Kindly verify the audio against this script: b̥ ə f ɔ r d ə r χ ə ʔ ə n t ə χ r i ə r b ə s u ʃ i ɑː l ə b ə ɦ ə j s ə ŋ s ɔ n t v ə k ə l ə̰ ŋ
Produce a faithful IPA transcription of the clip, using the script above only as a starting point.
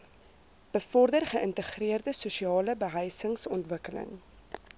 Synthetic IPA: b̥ ə f ɔ r d ə r χ ə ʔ ə n t ə χ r i ə r d ə s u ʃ i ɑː l ə b ə ɦ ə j s ə ŋ s ɔ n t v ə k ə l ə̰ ŋ